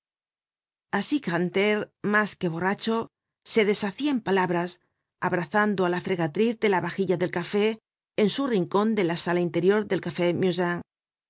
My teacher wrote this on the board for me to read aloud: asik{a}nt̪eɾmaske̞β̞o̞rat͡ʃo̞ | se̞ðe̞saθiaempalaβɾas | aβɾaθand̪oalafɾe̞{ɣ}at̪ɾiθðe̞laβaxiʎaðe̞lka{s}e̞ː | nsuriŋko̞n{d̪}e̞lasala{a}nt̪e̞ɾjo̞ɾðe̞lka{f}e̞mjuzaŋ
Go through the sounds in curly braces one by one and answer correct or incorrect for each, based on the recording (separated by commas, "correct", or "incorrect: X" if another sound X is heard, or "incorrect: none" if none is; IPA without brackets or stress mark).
correct, correct, incorrect: f, correct, incorrect: i, correct